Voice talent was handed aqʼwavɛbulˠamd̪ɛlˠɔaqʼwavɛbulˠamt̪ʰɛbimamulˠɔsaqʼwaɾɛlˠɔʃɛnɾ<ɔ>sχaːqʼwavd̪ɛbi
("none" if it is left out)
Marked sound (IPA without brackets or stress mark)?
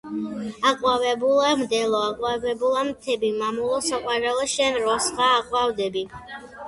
ɔ